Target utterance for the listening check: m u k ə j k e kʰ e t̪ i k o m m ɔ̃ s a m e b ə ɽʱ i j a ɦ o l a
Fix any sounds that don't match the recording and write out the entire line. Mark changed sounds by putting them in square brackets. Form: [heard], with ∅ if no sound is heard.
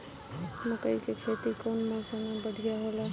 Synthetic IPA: m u k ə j k e kʰ e t̪ i k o [n] m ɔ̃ s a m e b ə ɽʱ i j a ɦ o l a